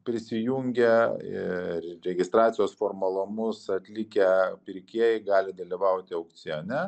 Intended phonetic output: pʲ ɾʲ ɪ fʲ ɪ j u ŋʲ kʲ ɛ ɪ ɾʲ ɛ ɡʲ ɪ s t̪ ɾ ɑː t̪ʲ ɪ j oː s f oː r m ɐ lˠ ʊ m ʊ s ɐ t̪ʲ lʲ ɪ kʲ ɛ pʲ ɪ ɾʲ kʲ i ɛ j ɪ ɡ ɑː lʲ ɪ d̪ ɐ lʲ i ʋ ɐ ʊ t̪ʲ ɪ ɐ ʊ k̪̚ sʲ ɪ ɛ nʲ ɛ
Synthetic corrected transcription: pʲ ɾʲ ɪ sʲ ɪ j u ŋʲ ɡʲ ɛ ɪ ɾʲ ɛ ɡʲ ɪ s t̪ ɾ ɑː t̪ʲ ɪ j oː s f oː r m ɐ lˠ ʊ m ʊ s ɐ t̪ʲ lʲ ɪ kʲ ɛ pʲ ɪ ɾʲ kʲ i ɛ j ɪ ɡ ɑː lʲ ɪ d̪ ɐ lʲ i ʋ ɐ ʊ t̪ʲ ɪ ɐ ʊ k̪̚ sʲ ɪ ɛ nʲ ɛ